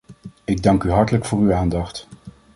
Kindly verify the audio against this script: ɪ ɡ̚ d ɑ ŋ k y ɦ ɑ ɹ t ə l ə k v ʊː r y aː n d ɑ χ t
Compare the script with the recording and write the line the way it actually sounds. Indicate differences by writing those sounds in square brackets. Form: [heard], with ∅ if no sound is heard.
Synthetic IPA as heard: ɪ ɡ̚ d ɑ ŋ k y ɦ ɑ ɹ t ə l ə k [f] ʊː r y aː n d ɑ χ t

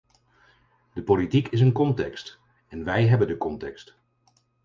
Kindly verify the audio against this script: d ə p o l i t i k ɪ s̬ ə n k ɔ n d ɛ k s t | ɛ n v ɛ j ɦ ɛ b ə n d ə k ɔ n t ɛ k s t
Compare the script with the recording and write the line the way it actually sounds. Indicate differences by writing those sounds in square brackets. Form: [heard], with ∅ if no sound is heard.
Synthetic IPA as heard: d ə p o l i t i k ɪ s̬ ə n k ɔ n [t] ɛ k s t | ɛ n [ʋ] ɛ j ɦ ɛ b ə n d ə k ɔ n t ɛ k s t

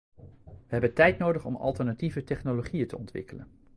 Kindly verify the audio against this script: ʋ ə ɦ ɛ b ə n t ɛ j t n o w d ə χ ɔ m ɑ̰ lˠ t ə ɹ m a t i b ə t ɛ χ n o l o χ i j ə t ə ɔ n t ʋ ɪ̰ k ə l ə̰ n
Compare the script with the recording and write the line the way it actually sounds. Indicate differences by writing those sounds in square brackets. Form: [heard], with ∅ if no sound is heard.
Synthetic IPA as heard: ʋ ə ɦ ɛ b ə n t ɛ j t n o w d ə χ ɔ m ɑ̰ lˠ t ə ɹ [n] a t i [v] ə t ɛ χ n o l o χ i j ə t ə ɔ n t ʋ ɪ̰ k ə l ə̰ n

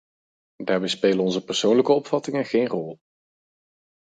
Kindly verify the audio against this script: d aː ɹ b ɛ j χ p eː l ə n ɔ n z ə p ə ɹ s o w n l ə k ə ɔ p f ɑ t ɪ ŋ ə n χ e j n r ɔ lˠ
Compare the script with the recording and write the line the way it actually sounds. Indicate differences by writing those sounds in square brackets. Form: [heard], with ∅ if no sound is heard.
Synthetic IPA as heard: d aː ɹ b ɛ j [s] p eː l ə n ɔ n z ə p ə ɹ s o w n l ə k ə ɔ p f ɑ t ɪ ŋ ə n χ e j n r ɔ lˠ

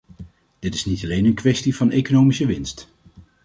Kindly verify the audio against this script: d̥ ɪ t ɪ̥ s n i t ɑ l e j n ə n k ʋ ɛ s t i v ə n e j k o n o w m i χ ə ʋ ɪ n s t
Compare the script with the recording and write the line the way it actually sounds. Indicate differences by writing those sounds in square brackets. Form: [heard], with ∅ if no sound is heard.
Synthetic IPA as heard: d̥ ɪ t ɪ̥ s n i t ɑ l e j n ə n k ʋ ɛ s t i v [ɑ] n e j k o n o w m i [s] ə ʋ ɪ n s t

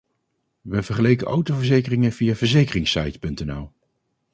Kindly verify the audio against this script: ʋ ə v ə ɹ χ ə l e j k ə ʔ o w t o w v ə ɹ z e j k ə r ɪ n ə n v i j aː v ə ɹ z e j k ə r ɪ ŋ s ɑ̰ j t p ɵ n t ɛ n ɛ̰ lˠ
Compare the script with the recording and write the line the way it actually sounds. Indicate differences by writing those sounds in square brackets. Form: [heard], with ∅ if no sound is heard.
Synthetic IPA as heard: ʋ ə v ə ɹ χ ə l e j k ə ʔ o w t o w v ə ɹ z e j k ə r ɪ [ŋ] ə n v i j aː v ə ɹ z e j k ə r ɪ ŋ s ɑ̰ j t p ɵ n t ɛ n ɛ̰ lˠ

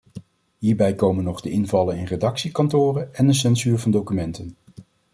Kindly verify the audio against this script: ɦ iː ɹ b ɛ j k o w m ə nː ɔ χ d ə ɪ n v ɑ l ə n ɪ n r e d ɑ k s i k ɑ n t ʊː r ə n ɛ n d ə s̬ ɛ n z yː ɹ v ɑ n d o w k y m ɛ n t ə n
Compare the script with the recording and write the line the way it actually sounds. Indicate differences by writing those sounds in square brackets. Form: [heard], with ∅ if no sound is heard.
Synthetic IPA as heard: ɦ iː ɹ b ɛ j k o w m ə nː ɔ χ d ə ɪ n v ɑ l ə n ɪ n r e d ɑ k s i k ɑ n t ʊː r ə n ɛ n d ə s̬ ɛ n z yː ɹ v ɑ n d o w k y m ɛ n t ə n

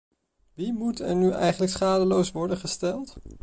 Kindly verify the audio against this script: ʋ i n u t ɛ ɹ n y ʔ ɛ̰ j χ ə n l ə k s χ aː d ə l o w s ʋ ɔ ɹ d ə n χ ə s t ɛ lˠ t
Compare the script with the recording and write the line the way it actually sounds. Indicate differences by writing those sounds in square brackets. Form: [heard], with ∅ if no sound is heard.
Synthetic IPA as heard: ʋ i [m] u t ɛ ɹ n y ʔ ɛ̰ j χ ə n l ə k s χ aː d ə l o w s ʋ ɔ ɹ d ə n χ ə s t ɛ lˠ t

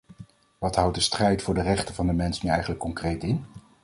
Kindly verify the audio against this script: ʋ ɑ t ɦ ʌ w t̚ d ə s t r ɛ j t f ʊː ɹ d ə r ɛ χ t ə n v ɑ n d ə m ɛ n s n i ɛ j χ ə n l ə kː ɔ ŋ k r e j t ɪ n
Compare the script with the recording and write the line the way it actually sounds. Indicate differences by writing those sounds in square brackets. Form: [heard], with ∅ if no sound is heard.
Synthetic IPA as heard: ʋ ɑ t ɦ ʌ w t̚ d ə s t r ɛ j t f ʊː ɹ d ə r ɛ χ t ə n v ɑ n d ə m ɛ n s n [y] ɛ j χ ə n l ə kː ɔ ŋ k r e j t ɪ n

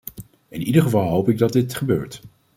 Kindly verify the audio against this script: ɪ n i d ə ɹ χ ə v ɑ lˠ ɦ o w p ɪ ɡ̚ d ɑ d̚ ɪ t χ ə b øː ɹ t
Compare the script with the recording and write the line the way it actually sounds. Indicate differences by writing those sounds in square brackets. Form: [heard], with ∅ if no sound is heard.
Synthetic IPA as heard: ɪ n i d ə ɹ χ ə v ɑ lˠ ɦ o w p ɪ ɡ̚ d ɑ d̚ ɪ t χ ə b øː ɹ t

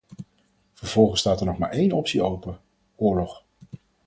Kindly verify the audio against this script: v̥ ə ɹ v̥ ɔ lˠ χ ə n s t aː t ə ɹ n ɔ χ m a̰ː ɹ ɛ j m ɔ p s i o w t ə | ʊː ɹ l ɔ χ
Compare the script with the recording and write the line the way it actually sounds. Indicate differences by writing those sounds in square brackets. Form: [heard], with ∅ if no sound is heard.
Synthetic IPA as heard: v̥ ə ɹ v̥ ɔ lˠ χ ə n s t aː t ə ɹ n ɔ χ m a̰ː ɹ [e] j [n] ɔ p s i o w [p] ə | ʊː ɹ l ɔ χ

